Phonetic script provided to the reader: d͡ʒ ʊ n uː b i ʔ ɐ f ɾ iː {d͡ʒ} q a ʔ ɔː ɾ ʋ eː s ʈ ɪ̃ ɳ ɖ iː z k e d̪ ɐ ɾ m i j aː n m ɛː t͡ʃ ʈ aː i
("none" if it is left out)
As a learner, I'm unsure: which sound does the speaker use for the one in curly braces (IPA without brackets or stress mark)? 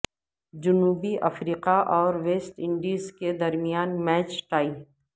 none